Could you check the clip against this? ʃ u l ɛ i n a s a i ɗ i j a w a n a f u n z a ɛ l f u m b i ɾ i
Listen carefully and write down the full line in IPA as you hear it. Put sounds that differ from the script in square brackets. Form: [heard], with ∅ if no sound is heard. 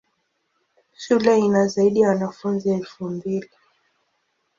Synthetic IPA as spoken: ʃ u l ɛ i n a [z] a i ɗ i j a w a n a f u n z [i] ɛ l f u m b i [l] i